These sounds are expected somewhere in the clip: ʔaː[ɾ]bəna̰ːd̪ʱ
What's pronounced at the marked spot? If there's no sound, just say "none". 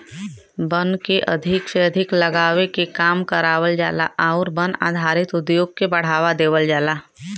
ɾ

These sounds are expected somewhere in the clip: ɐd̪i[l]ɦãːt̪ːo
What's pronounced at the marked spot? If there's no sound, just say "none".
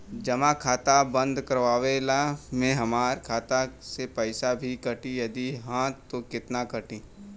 none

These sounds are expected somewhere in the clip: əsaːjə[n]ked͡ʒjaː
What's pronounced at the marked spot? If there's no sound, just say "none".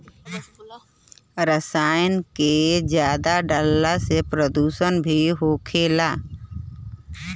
n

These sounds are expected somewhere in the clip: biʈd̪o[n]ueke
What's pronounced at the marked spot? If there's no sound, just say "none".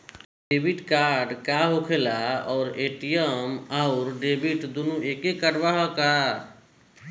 n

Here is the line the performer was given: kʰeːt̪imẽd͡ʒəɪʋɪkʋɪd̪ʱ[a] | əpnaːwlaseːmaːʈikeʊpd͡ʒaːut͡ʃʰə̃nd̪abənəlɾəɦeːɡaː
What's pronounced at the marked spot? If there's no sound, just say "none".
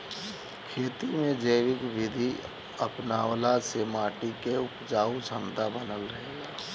i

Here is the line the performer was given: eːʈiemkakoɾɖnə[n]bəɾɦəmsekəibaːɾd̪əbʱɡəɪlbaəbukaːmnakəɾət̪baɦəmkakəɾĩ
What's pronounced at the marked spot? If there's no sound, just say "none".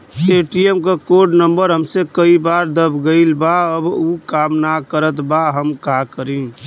m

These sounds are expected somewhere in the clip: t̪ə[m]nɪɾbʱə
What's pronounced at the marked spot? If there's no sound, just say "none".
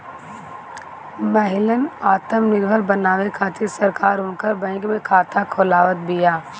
m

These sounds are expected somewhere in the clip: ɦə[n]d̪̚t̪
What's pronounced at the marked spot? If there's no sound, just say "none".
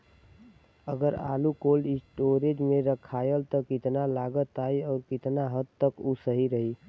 none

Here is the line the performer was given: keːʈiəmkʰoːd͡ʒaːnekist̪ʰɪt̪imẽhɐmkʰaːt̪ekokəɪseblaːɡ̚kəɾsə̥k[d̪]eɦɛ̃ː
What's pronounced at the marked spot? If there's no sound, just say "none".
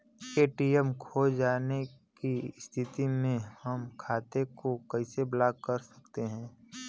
t̪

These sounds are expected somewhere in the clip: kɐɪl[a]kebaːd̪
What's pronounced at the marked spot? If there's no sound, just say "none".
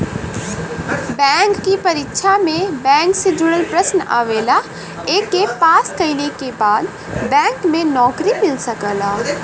e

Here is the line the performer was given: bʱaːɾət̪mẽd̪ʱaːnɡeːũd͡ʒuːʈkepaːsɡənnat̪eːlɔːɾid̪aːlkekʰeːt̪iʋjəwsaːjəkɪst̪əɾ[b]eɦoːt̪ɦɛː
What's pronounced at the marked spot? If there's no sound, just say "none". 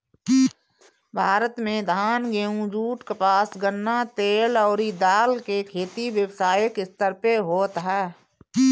p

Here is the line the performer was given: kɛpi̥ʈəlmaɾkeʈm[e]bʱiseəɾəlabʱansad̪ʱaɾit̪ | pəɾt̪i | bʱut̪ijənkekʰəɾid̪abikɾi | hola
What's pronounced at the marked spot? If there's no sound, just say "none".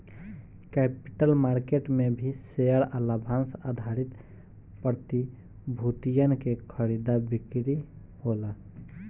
e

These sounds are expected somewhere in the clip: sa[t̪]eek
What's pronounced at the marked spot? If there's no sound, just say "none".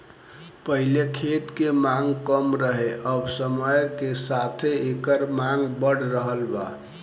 t̪ʰ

